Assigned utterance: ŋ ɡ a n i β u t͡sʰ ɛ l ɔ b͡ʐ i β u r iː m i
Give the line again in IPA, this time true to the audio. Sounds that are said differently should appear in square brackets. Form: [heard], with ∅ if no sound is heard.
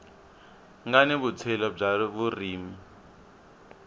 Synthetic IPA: ŋ ɡ a n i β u t͡sʰ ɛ l ɔ b͡ʐ [a] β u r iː m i